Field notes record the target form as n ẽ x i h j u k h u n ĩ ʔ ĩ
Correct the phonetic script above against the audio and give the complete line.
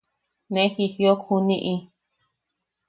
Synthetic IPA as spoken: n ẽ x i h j o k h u n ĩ ʔ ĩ